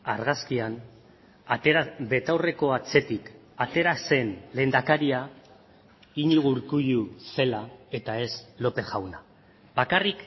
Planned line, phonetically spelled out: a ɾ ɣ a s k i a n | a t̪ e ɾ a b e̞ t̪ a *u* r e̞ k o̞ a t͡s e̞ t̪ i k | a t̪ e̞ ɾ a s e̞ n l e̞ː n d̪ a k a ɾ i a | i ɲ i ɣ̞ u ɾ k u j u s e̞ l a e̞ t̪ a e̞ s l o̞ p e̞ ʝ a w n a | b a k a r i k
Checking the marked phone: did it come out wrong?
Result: yes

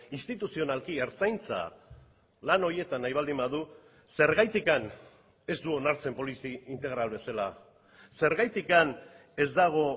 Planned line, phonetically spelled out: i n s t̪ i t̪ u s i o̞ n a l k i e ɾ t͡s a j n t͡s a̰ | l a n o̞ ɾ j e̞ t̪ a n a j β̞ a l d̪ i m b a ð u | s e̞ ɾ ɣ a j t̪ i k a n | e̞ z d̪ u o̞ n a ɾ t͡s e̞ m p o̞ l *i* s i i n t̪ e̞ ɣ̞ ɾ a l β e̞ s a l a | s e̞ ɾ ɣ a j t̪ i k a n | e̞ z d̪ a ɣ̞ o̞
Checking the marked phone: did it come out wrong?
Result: no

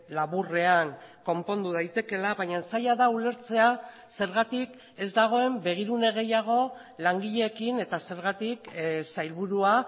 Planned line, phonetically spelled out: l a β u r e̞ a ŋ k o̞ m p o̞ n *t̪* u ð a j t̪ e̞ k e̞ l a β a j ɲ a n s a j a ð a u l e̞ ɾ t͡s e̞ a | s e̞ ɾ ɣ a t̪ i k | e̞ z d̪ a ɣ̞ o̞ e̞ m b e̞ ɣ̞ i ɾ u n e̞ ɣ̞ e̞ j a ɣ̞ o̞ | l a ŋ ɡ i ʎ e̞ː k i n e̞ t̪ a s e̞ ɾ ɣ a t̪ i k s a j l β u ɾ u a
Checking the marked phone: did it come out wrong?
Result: yes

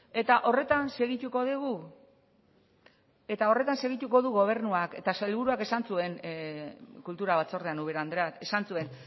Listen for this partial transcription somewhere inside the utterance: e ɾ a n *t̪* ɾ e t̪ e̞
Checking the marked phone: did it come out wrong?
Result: yes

